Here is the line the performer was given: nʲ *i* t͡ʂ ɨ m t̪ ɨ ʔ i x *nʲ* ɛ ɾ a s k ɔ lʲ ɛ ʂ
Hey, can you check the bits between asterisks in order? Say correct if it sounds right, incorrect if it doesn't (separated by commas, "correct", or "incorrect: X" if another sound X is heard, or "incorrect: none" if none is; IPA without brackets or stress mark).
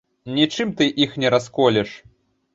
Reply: correct, correct